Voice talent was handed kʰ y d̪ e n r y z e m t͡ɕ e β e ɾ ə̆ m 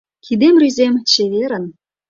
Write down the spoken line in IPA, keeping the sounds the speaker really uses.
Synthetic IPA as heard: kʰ i d̪ e m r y z e m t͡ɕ e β e ɾ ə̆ n